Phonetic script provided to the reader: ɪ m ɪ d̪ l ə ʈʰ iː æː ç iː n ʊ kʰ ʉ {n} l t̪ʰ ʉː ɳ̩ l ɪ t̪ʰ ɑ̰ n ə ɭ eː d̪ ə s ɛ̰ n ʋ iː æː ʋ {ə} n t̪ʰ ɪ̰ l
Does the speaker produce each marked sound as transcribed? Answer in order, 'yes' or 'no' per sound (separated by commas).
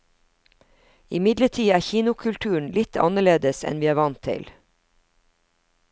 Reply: no, no